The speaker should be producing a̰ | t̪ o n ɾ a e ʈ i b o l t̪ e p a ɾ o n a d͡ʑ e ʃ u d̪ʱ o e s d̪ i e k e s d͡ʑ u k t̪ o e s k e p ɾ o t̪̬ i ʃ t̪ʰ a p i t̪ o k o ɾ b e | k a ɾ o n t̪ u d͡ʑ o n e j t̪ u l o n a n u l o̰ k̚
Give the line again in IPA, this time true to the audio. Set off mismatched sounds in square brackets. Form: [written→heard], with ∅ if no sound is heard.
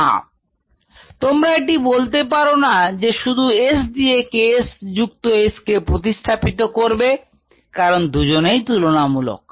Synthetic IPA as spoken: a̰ | t̪ o [n→m] ɾ a e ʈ i b o l t̪ e p a ɾ o n a d͡ʑ e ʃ u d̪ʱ [o→u] e s d̪ i e k e s d͡ʑ u k t̪ o e s k e p ɾ o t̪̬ i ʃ t̪ʰ a p i t̪ o k o ɾ b e | k a ɾ o n [t̪→d̪] u d͡ʑ o n e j t̪ u l o n a [n→m] u l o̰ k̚